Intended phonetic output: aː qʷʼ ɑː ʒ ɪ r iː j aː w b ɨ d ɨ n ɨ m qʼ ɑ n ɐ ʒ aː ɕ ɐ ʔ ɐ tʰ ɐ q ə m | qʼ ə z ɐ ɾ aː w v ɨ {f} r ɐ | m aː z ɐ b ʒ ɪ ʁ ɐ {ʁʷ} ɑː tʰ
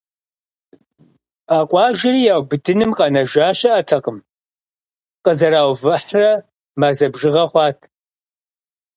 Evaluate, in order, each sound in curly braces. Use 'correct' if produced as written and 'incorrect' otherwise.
incorrect: ħ, incorrect: χʷ

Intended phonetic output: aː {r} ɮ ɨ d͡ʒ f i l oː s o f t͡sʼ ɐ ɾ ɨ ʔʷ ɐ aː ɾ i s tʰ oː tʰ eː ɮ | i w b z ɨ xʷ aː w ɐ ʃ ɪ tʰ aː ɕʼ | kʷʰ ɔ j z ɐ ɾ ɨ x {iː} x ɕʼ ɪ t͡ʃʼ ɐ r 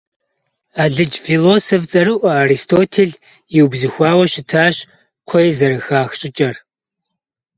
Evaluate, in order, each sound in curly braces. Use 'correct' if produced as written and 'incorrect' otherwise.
incorrect: none, incorrect: aː

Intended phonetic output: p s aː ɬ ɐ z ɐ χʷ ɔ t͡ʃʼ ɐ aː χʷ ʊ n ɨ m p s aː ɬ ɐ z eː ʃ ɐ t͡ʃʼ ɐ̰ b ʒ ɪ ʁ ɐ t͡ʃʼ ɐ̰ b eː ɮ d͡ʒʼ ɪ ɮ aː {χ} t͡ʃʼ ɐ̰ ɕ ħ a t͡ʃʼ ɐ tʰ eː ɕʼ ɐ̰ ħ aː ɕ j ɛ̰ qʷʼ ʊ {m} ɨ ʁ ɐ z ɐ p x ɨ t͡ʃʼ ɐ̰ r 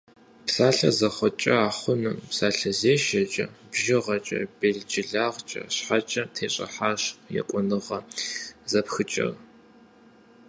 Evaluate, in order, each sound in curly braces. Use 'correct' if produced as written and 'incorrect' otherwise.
incorrect: ʁ, incorrect: n

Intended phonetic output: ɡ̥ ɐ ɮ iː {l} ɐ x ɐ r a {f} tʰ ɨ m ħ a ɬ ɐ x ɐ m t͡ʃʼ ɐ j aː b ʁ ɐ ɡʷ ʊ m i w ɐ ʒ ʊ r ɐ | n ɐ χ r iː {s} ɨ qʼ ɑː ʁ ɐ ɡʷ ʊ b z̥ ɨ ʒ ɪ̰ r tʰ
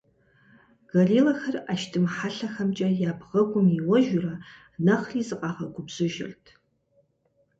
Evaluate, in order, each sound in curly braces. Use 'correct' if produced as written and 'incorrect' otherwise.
correct, incorrect: ʃ, incorrect: z

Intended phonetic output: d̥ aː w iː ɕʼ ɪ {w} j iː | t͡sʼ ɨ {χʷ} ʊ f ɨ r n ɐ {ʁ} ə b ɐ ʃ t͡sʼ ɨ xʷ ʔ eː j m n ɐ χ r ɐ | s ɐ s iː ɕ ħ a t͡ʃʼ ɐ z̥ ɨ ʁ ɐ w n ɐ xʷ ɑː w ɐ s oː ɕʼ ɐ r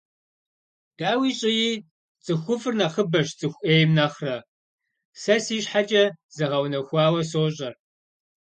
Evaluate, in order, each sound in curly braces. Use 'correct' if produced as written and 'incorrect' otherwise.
incorrect: none, incorrect: xʷ, incorrect: χ

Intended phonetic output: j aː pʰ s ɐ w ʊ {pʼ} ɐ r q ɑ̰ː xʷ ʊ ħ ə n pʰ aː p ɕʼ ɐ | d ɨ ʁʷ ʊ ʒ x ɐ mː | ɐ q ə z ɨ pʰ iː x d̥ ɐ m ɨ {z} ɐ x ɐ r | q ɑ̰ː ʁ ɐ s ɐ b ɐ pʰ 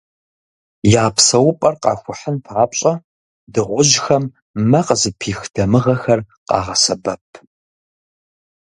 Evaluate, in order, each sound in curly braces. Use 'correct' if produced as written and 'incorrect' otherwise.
correct, incorrect: ʁ

